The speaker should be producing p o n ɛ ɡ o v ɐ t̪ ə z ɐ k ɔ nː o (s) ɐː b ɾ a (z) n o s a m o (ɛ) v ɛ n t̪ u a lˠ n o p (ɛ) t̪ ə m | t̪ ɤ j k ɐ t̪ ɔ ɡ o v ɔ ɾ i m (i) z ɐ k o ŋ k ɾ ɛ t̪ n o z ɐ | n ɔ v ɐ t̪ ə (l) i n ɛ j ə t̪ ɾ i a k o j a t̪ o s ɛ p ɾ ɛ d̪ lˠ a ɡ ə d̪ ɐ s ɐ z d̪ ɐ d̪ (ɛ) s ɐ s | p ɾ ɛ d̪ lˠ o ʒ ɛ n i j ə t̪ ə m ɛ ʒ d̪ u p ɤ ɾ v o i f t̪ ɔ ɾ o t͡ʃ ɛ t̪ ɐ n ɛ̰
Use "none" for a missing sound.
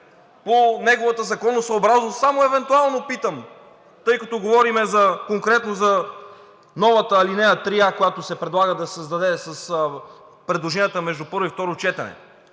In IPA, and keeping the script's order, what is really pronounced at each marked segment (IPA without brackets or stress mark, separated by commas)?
s, z, ɛ, i, ɛ, l, ɛ